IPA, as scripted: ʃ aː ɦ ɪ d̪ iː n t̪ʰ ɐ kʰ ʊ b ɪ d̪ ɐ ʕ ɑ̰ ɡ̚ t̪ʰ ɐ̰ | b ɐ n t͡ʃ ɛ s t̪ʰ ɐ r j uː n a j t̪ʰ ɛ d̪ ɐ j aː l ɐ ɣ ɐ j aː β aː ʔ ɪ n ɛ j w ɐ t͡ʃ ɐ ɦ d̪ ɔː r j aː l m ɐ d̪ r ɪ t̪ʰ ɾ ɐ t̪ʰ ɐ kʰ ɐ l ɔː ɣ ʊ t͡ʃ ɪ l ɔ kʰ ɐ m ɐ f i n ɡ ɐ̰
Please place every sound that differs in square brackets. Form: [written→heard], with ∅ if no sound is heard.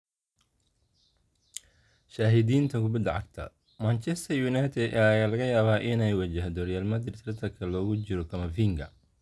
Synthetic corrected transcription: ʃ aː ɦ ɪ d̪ iː n t̪ʰ ɐ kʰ ʊ b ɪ d̪ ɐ ʕ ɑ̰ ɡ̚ t̪ʰ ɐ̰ | [b→m] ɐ n t͡ʃ ɛ s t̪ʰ ɐ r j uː n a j t̪ʰ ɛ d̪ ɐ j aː l ɐ ɣ ɐ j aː β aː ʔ ɪ n ɛ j w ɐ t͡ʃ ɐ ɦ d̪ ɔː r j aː l m ɐ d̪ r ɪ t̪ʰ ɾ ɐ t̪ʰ ɐ kʰ ɐ l ɔː ɣ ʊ t͡ʃ ɪ [l→ɾ] ɔ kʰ ɐ m ɐ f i [n→ŋ] ɡ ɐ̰